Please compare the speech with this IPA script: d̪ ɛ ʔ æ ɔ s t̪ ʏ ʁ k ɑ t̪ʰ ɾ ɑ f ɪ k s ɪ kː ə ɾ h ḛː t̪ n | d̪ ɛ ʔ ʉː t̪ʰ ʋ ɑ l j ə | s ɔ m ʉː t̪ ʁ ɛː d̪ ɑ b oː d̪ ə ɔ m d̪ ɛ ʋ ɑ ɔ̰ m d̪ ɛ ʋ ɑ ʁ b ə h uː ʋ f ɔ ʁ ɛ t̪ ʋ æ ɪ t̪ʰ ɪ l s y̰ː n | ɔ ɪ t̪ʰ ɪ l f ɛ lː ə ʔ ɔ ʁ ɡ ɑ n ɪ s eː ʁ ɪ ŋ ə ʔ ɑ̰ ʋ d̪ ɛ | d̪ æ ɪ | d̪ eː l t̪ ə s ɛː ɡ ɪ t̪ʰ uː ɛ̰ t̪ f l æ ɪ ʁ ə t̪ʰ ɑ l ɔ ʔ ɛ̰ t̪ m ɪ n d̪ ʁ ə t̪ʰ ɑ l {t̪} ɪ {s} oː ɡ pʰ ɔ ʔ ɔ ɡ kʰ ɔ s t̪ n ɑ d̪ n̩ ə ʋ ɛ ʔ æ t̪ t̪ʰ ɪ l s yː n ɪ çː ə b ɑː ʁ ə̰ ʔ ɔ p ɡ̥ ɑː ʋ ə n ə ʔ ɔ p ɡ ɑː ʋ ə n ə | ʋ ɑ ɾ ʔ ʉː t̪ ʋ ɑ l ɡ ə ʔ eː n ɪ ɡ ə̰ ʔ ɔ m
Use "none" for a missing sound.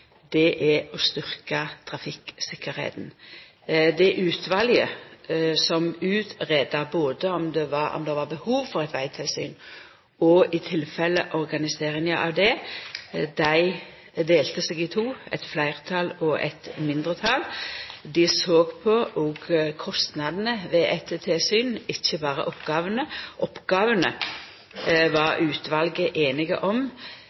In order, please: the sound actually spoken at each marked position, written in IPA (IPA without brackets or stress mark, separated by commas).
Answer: d̪, s